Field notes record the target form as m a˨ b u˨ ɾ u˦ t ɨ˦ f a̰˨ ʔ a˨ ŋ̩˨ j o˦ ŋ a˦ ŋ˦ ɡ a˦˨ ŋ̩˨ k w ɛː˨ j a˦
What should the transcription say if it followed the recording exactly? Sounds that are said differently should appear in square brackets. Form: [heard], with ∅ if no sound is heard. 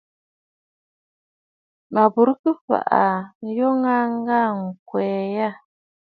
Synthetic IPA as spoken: m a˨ b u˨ ɾ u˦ [k] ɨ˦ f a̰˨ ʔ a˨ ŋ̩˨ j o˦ ŋ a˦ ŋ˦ ɡ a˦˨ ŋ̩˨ k w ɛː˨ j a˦